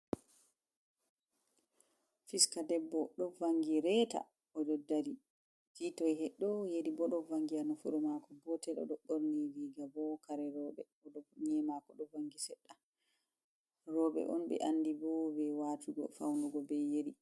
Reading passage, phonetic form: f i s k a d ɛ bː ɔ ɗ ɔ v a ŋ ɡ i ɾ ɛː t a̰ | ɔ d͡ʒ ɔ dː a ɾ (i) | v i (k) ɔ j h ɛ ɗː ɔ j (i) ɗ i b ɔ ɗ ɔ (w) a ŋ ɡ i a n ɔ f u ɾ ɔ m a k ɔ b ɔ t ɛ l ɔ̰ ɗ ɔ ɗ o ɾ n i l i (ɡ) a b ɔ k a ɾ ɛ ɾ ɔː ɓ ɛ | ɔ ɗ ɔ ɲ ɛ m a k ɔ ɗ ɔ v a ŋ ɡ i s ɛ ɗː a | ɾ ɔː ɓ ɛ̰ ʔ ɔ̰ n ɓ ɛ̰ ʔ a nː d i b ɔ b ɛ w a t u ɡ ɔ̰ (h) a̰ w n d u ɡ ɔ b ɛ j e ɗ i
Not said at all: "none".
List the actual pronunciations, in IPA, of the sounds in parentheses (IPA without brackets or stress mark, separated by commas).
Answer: i, t, e, v, ɡ, f